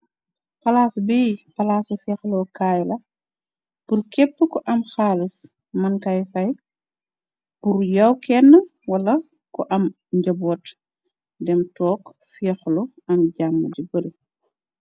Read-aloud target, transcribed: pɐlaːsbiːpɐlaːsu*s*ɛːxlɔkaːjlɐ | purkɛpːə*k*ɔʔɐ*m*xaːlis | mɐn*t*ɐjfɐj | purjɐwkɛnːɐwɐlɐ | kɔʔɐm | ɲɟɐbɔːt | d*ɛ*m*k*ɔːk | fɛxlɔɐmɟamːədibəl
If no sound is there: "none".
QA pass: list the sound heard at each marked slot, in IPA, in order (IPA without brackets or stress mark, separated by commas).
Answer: f, k, m, k, ɛ, t